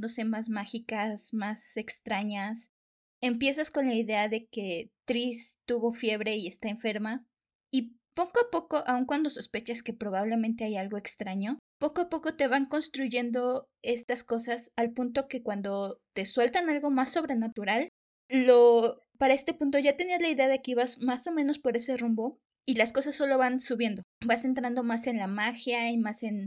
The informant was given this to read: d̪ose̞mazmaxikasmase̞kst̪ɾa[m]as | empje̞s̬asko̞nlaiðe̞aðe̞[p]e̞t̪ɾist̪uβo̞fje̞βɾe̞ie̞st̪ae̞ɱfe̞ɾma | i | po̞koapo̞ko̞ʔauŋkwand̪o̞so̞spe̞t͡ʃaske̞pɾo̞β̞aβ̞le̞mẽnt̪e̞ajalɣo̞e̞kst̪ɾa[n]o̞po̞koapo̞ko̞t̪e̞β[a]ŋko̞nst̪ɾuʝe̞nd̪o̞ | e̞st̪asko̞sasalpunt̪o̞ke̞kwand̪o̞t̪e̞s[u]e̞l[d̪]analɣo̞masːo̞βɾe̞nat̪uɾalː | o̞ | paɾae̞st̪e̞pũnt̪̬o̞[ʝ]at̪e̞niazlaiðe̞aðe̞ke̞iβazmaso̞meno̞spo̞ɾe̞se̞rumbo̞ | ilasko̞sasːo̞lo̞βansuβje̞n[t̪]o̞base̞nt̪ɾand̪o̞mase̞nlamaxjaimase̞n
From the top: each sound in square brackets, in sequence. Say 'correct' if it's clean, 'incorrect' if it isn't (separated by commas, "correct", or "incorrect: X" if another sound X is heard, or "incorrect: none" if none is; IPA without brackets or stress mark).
incorrect: ɲ, incorrect: k, incorrect: ɲ, correct, incorrect: w, incorrect: t̪, correct, incorrect: d̪